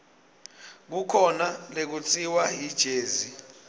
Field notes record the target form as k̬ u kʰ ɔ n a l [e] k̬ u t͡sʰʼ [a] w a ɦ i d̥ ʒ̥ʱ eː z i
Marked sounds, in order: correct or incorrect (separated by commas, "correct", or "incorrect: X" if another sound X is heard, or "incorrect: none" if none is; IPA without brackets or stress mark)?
correct, incorrect: i